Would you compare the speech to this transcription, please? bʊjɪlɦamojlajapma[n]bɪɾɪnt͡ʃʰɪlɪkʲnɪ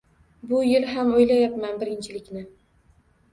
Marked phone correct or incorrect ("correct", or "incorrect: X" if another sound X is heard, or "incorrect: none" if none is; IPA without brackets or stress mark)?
correct